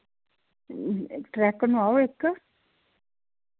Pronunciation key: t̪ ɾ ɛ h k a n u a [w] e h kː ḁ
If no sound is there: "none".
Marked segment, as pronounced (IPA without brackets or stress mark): w